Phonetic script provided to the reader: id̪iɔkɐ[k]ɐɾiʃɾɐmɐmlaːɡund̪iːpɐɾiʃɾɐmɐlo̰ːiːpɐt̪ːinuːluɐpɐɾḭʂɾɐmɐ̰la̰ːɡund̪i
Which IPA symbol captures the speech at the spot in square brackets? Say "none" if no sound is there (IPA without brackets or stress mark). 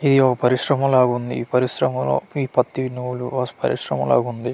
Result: p